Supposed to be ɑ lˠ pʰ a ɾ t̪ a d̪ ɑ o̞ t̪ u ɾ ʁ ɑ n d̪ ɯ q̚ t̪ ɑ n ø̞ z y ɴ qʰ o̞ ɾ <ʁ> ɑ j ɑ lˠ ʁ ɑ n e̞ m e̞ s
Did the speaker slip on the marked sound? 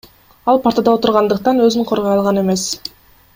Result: no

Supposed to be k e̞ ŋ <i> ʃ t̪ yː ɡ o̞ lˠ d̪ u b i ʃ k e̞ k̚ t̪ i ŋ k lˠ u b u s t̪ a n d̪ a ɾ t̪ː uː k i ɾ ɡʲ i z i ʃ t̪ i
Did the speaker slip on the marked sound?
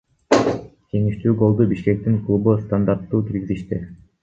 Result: no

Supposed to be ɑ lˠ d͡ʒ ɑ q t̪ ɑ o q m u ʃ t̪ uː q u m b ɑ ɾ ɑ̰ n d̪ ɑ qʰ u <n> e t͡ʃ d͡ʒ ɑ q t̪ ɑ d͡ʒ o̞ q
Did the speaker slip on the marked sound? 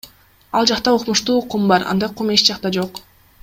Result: yes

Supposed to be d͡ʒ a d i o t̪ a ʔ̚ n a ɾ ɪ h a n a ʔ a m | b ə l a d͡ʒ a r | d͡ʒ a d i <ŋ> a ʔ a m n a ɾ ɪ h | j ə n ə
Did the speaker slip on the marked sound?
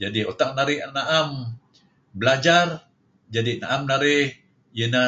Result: yes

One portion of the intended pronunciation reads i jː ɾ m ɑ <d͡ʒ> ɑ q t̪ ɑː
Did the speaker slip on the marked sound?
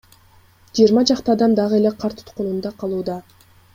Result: no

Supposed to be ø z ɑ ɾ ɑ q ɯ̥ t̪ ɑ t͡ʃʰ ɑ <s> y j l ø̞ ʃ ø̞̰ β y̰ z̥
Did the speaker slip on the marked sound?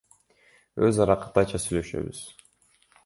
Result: no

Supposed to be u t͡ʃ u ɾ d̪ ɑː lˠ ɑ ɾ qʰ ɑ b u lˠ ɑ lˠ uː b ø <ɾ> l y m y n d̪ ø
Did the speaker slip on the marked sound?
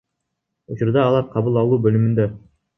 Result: yes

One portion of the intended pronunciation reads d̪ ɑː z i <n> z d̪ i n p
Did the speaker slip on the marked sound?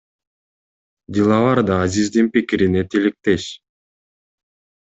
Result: yes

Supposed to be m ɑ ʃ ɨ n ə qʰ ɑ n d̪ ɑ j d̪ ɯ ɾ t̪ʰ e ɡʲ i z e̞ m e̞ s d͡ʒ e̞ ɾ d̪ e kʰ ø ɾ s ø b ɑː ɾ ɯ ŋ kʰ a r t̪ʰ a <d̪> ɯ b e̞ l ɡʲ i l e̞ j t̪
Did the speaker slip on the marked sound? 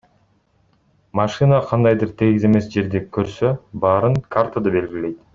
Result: no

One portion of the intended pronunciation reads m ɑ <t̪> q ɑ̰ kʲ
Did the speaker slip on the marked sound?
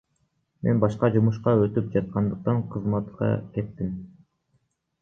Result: no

